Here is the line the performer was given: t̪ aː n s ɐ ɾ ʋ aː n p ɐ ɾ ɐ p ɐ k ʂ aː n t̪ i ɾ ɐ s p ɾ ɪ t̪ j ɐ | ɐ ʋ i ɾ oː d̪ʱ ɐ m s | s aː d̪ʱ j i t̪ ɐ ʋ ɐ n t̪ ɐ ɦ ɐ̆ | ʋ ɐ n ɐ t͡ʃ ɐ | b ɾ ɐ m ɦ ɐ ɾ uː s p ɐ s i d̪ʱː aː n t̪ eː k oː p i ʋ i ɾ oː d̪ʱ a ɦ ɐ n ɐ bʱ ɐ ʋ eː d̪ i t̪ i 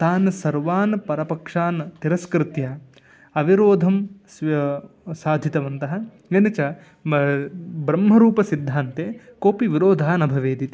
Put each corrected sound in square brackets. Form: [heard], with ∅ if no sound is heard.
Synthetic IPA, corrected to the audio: t̪ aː n s ɐ ɾ ʋ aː n p ɐ ɾ ɐ p ɐ k ʂ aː n t̪ i ɾ ɐ s [k] ɾ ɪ t̪ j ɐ | ɐ ʋ i ɾ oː d̪ʱ ɐ m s | s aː d̪ʱ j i t̪ ɐ ʋ ɐ n t̪ ɐ ɦ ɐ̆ | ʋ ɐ n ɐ t͡ʃ ɐ | b ɾ ɐ m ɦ ɐ ɾ uː [∅] p ɐ s i d̪ʱː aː n t̪ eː k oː p i ʋ i ɾ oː d̪ʱ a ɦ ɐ n ɐ bʱ ɐ ʋ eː d̪ i t̪ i